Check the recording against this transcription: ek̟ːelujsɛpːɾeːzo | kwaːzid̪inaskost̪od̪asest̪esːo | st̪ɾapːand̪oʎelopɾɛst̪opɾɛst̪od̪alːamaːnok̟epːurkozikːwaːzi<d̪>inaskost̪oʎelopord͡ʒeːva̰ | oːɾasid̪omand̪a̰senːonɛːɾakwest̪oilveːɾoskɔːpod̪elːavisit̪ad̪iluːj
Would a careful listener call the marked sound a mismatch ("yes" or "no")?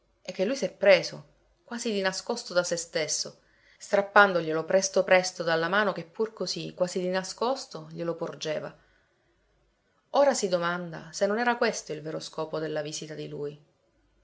no